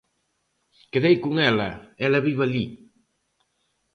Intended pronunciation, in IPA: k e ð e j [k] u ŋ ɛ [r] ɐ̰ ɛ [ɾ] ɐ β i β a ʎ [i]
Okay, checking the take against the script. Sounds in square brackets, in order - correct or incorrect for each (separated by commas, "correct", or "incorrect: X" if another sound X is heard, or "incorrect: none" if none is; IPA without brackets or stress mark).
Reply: correct, incorrect: l, incorrect: l, correct